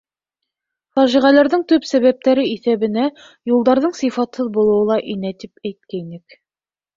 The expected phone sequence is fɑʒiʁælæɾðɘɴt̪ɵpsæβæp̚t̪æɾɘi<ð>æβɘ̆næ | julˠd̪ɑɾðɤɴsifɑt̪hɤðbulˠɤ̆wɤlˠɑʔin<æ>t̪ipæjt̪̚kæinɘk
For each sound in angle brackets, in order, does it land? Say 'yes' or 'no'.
no, yes

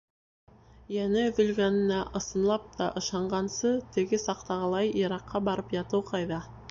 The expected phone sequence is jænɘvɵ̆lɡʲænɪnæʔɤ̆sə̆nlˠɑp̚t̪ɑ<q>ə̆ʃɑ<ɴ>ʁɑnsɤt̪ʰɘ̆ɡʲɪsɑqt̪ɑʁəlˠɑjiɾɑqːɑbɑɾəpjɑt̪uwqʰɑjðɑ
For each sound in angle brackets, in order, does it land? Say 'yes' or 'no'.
no, yes

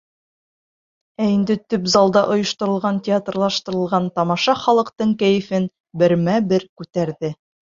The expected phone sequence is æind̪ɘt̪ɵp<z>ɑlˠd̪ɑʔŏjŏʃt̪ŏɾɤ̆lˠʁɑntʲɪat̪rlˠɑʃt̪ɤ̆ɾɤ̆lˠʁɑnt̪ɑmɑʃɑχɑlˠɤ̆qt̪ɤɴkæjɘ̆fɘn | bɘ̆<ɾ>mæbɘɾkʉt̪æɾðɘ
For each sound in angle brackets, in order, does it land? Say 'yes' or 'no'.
yes, yes

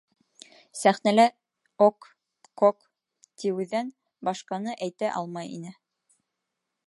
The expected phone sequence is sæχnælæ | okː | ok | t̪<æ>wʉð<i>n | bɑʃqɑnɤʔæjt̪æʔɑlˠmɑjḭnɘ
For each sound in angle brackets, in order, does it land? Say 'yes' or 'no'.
no, no

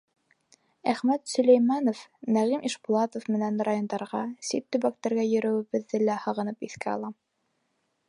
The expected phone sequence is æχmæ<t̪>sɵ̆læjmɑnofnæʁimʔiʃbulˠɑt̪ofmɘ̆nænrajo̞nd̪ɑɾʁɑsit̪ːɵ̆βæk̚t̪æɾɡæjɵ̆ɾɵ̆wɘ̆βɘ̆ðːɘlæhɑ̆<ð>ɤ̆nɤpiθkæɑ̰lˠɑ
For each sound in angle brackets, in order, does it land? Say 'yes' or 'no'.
yes, no

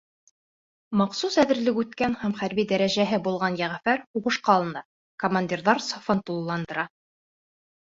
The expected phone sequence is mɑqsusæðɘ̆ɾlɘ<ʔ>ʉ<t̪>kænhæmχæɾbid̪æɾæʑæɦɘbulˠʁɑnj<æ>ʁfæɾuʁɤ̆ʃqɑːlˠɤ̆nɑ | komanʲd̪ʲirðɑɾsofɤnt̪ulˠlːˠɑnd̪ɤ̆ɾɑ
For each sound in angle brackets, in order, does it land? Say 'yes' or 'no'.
no, yes, yes

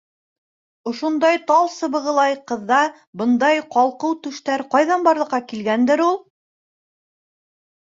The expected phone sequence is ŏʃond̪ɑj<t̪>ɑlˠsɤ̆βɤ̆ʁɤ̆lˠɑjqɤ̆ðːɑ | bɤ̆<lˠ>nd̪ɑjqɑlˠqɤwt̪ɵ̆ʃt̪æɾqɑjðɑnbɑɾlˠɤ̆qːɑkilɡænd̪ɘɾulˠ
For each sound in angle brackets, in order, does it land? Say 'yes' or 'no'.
yes, no

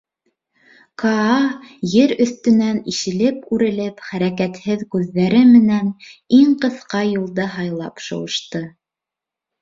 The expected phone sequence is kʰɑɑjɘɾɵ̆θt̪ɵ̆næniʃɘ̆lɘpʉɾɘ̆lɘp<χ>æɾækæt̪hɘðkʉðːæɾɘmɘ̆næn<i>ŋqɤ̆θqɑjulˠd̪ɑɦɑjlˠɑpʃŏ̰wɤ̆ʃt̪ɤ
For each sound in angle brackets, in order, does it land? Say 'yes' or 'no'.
yes, yes

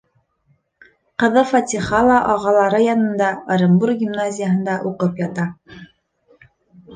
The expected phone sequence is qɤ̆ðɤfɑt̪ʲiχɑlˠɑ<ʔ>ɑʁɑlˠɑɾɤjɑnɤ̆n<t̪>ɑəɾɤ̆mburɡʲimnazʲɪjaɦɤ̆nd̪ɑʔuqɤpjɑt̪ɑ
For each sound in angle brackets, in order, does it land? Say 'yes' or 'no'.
yes, no

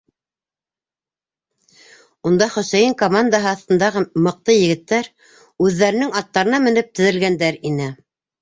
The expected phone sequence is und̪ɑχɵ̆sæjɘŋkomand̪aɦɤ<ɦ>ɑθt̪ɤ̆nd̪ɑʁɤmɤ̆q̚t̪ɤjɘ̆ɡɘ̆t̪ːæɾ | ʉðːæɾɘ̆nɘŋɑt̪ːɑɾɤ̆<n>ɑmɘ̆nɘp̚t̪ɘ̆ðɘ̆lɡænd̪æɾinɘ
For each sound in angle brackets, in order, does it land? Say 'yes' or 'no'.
no, yes

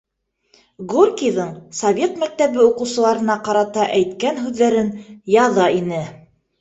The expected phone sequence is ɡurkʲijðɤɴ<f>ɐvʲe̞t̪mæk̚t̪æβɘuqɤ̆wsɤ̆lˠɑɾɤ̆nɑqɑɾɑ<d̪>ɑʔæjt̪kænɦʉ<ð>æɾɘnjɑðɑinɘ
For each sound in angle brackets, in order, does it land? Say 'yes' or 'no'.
no, no, no

